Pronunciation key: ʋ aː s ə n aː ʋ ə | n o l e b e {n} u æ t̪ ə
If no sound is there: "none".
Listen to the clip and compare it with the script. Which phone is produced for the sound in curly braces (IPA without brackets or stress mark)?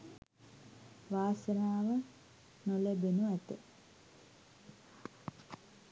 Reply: n